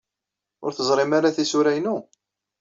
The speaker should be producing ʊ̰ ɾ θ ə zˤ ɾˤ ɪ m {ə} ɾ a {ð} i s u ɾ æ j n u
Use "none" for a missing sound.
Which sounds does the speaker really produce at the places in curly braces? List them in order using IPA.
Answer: a, θ

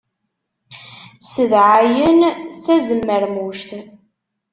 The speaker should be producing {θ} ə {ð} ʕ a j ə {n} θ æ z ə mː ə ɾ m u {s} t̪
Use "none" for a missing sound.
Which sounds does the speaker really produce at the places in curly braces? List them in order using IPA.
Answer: s, ð, n, ʃ

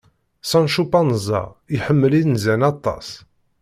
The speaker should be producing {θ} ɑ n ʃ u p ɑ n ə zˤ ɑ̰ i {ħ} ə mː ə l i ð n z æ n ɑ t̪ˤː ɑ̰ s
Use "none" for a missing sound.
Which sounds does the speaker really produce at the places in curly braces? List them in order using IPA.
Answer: s, ħ

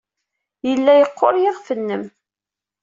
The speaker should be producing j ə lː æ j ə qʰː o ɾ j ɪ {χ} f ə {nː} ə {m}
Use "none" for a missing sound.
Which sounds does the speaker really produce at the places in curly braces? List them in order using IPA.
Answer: ʁ, nː, m

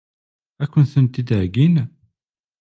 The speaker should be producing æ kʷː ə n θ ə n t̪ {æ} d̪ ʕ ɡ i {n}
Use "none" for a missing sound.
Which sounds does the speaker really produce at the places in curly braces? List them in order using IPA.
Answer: i, n

